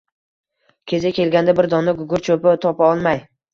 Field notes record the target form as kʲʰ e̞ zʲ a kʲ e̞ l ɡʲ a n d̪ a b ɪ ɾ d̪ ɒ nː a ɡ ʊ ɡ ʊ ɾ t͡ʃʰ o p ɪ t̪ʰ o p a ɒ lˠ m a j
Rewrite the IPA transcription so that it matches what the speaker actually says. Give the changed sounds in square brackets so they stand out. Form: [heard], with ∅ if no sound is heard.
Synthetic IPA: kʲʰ e̞ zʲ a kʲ e̞ l ɡʲ a n d̪ a b ɪ ɾ d̪ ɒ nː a ɡ ʊ ɡ ʊ ɾ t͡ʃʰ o p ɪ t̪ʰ [ɒ] p a ɒ lˠ m a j

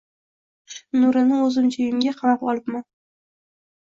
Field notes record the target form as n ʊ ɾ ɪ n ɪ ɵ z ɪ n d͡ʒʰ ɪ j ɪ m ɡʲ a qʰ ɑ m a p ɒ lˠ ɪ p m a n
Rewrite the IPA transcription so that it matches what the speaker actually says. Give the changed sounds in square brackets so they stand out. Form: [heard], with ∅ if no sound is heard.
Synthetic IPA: n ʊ ɾ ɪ n ɪ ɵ z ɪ [m] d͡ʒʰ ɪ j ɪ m ɡʲ a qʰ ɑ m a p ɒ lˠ ɪ p m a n

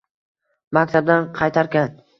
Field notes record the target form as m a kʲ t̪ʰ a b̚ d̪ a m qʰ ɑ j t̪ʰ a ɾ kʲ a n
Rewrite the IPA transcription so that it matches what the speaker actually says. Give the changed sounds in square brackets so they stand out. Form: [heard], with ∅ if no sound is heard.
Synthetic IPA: m a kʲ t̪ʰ a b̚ d̪ a [n] qʰ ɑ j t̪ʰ a ɾ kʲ a n

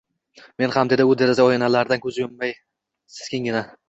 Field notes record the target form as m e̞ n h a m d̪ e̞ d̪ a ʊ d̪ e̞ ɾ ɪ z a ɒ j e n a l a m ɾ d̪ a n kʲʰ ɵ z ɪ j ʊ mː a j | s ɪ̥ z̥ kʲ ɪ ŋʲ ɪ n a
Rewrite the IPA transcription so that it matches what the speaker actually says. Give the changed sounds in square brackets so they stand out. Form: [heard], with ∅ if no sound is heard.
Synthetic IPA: m e̞ n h a m d̪ e̞ d̪ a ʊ d̪ e̞ ɾ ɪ z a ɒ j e n a l a [∅] ɾ d̪ a n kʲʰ ɵ z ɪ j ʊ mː a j | s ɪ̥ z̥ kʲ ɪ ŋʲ ɪ n a

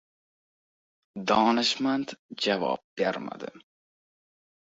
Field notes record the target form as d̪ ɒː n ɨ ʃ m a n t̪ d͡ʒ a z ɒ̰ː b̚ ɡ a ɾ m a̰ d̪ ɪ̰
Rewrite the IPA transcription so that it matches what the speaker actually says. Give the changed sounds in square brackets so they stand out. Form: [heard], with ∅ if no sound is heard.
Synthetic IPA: d̪ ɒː n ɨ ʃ m a n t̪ d͡ʒ a [v] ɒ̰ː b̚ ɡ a ɾ m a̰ d̪ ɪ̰

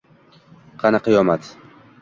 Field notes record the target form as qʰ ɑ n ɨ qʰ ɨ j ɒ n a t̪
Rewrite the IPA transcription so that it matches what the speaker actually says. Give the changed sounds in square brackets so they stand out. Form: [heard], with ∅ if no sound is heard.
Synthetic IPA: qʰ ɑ n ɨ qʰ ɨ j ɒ [m] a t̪

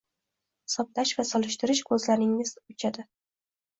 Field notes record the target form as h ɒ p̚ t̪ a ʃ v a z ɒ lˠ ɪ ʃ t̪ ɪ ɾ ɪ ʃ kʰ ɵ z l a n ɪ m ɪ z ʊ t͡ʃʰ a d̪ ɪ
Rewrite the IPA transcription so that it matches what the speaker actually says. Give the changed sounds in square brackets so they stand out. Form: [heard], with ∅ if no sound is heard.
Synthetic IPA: [s] ɒ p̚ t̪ a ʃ v a [s] ɒ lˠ ɪ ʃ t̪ ɪ ɾ ɪ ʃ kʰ ɵ z l a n ɪ [ŋ] ɪ z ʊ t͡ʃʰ a d̪ ɪ

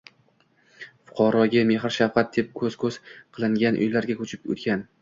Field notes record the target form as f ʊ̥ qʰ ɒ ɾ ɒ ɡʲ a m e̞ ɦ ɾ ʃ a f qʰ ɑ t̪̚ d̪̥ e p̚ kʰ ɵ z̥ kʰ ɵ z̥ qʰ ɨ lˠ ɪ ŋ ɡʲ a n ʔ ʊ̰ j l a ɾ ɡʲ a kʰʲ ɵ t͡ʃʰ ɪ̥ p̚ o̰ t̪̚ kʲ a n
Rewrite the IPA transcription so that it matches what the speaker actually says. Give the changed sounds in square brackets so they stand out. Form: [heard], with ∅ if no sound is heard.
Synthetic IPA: f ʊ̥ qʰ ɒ ɾ ɒ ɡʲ a m e̞ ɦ ɾ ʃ a f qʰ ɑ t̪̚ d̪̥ e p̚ kʰ ɵ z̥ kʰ ɵ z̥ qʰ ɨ lˠ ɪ ŋ ɡʲ a n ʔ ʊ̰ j l a ɾ ɡʲ a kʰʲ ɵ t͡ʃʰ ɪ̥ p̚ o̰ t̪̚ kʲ a n

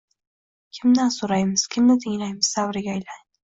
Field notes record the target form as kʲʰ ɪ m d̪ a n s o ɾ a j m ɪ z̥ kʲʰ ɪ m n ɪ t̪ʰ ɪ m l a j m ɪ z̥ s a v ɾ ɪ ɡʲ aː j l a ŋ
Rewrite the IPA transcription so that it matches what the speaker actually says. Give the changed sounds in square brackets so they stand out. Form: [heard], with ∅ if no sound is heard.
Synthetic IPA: kʲʰ ɪ m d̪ a n s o ɾ a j m ɪ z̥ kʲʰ ɪ m n ɪ t̪ʰ ɪ [ŋ] l a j m ɪ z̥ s a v ɾ ɪ ɡʲ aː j l a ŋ

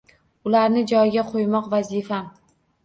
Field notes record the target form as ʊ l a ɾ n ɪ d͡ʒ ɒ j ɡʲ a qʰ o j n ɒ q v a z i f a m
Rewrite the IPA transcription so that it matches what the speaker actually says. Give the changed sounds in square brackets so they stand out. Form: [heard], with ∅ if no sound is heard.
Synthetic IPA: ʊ l a ɾ n ɪ d͡ʒ ɒ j ɡʲ a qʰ o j [m] ɒ q v a z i f a m

